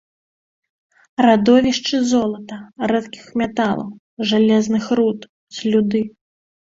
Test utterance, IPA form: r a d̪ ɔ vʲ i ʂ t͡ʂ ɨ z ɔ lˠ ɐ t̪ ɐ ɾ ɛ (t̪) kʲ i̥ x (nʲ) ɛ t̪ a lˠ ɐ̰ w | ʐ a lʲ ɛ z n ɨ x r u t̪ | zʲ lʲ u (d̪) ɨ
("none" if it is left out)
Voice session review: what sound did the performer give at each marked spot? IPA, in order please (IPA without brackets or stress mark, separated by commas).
t̪, mʲ, d̪